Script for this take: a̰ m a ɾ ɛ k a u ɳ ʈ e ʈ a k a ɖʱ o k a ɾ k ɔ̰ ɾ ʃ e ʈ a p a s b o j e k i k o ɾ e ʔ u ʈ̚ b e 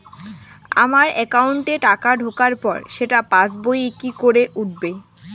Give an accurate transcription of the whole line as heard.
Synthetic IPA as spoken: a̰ m a ɾ ɛ k a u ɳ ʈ e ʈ a k a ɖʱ o k a ɾ p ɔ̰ ɾ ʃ e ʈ a p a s b o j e k i k o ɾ e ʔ u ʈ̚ b e